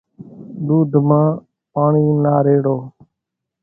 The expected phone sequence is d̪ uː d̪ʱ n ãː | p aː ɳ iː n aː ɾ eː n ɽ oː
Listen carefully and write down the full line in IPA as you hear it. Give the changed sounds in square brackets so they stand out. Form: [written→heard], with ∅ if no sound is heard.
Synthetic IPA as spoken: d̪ uː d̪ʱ [n→m] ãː | p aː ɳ iː n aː ɾ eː [n→∅] ɽ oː